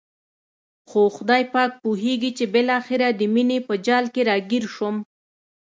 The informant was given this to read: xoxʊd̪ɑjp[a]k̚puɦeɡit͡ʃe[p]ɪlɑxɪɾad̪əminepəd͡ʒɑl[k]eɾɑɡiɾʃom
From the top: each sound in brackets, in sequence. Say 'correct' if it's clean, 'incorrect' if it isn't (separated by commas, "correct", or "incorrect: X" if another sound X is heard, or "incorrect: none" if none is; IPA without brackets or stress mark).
incorrect: ɑ, incorrect: b, correct